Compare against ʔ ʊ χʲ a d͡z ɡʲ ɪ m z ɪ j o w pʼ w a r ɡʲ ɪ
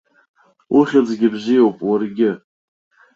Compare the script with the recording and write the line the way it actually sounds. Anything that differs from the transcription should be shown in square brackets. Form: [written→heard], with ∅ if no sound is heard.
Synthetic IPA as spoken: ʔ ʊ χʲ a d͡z ɡʲ ɪ [m→b] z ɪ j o w pʼ w a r ɡʲ ɪ